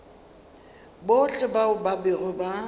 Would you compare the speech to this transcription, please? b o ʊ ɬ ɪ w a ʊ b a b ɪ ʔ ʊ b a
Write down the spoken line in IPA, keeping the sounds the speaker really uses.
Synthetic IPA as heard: b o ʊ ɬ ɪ b a ʊ b a b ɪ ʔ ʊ b a